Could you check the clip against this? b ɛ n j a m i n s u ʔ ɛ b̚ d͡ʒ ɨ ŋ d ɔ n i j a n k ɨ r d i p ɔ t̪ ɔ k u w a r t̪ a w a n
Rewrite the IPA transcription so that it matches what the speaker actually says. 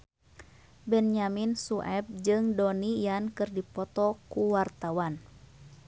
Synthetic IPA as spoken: b ɛ n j a m i n s u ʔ ɛ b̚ d͡ʒ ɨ ŋ d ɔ n i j a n k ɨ r d i p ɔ t̪ ɔ k u w a r t̪ a w a n